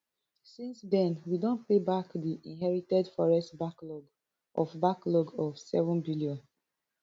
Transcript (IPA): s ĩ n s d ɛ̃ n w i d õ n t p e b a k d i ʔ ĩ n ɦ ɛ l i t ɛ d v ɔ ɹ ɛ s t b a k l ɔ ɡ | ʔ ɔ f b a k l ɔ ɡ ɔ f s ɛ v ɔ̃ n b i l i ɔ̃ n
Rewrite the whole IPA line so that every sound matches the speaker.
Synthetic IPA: s ĩ n s d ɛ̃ n w i d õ n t p e b a k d i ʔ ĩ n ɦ ɛ ɹ i t ɛ d f ɔ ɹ ɛ s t b a k l ɔ ɡ | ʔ ɔ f b a k l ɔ ɡ ɔ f s ɛ v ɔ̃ n b i l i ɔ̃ n